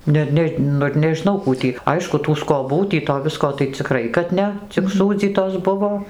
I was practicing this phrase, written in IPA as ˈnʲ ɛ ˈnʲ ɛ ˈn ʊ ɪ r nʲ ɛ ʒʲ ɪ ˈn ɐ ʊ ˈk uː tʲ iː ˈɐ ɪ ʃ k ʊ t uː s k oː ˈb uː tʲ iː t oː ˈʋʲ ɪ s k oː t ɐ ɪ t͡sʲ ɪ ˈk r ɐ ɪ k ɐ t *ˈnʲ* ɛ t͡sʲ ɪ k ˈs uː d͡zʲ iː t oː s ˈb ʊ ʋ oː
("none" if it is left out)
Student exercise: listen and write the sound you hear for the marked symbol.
nʲ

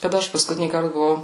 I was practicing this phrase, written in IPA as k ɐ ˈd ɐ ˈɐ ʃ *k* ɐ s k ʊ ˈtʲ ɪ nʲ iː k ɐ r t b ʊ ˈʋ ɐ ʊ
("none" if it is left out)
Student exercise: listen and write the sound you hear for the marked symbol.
p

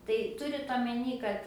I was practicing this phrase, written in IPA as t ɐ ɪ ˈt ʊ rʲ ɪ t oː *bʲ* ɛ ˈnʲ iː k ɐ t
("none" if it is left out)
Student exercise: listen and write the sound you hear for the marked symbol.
mʲ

